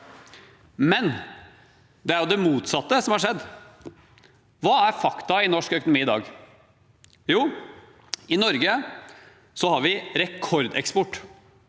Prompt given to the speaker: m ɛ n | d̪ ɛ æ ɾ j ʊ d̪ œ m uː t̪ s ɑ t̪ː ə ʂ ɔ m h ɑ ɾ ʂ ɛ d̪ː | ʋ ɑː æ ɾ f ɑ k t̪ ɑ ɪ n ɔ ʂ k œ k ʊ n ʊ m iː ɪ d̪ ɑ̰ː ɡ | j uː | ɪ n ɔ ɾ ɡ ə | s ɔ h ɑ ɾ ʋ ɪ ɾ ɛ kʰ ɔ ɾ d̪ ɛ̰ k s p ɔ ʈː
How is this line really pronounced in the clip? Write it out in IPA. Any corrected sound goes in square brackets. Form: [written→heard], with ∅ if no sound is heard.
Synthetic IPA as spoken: m ɛ n | d̪ ɛ æ ɾ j ʊ d̪ [œ→ɛ] m uː t̪ s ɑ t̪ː ə [ʂ→s] ɔ m h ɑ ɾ ʂ ɛ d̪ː | ʋ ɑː æ ɾ f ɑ k t̪ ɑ ɪ n ɔ ʂ k œ k ʊ n ʊ m iː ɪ d̪ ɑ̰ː ɡ | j uː | ɪ n ɔ ɾ ɡ ə | s ɔ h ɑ ɾ ʋ ɪ ɾ ɛ kʰ ɔ ɾ d̪ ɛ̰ k s p ɔ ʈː